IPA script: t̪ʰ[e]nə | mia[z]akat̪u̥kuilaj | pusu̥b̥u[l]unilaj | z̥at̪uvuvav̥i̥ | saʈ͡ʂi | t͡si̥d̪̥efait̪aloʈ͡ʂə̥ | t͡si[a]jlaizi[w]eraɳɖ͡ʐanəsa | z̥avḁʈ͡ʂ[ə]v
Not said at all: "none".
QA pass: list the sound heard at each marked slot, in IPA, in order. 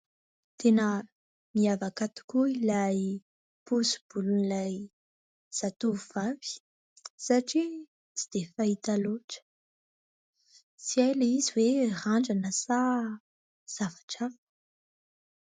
e, v, l, a, w, a

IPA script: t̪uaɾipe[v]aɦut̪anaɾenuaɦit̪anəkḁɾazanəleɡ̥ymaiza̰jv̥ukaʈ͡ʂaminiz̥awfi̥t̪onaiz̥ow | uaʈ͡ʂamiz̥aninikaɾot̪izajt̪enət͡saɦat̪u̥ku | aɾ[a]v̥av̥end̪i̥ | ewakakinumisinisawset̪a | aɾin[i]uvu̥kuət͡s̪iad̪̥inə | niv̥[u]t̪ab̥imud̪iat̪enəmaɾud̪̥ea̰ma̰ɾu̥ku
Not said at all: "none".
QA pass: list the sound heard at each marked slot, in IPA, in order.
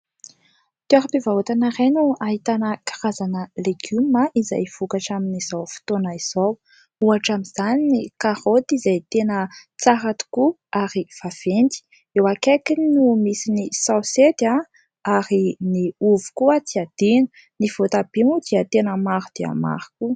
v, i, i, o

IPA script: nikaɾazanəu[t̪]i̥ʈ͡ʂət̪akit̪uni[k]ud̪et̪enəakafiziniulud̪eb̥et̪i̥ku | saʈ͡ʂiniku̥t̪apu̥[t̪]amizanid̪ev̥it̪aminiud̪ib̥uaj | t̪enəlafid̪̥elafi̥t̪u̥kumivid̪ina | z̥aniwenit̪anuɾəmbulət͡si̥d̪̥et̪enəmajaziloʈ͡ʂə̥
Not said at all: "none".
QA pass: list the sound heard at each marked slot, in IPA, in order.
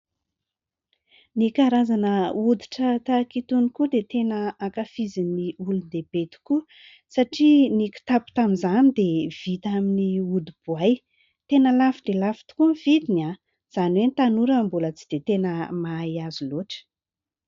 d̪, k, t̪

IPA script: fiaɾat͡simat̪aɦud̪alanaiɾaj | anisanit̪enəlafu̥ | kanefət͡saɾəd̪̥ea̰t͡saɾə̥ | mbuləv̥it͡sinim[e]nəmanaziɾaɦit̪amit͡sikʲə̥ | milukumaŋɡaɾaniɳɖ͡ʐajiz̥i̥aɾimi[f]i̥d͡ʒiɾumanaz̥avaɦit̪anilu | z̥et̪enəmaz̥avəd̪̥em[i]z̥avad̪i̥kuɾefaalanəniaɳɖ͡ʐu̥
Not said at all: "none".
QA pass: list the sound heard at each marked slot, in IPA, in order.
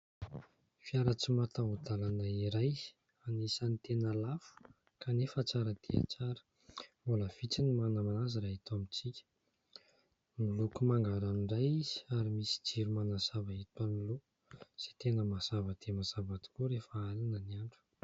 a, s, a

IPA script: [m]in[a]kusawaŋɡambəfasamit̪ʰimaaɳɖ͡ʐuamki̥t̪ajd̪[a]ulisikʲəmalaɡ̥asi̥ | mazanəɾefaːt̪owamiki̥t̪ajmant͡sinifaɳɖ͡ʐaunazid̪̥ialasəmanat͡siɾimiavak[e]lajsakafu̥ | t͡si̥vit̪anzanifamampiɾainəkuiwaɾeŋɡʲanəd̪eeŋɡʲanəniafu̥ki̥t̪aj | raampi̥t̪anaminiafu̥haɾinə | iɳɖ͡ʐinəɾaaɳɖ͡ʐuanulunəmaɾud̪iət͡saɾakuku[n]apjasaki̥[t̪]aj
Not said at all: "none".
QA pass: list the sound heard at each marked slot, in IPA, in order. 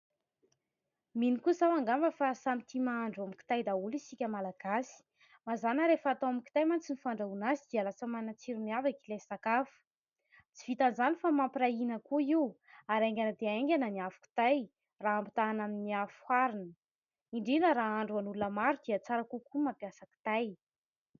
m, i, a, i, m, t̪

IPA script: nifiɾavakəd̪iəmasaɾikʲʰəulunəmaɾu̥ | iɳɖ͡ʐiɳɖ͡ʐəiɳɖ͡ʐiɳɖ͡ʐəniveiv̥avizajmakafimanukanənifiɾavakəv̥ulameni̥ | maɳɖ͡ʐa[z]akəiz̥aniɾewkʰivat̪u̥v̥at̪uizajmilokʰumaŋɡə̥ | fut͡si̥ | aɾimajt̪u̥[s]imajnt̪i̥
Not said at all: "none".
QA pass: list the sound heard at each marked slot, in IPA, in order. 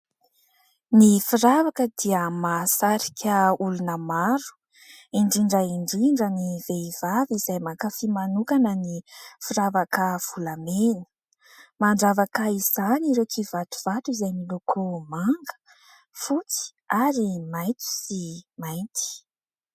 v, s

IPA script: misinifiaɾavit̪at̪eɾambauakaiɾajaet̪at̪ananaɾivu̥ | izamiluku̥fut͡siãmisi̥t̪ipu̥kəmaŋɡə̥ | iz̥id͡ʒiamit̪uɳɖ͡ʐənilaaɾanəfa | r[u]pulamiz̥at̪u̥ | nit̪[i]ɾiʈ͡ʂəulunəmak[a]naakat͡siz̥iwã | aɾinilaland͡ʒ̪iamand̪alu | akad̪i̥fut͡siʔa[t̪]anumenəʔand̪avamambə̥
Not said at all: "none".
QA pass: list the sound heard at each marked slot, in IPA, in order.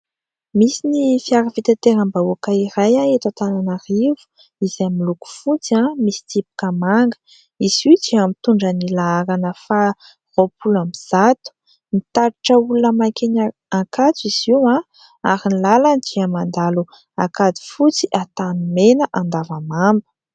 o, a, e, t̪

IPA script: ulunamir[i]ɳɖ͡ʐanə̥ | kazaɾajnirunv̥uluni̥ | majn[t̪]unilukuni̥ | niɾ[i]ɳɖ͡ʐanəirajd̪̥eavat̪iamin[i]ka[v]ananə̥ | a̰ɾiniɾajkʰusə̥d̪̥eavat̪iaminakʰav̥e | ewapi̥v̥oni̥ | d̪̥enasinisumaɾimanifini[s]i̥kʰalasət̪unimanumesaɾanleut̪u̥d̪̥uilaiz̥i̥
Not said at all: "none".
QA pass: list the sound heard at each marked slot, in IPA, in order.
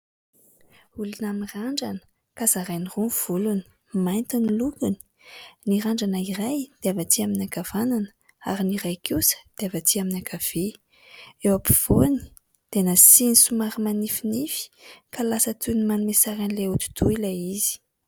a, t̪, a, a, v, f

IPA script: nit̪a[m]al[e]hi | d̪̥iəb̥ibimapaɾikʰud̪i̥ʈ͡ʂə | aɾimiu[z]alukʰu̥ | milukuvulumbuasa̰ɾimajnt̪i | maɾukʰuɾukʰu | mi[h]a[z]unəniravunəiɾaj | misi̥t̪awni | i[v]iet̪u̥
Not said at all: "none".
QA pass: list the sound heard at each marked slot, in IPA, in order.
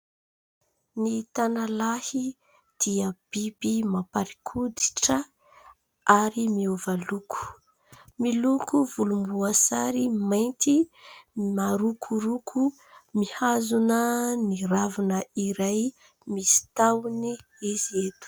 n, a, v, h, z, z

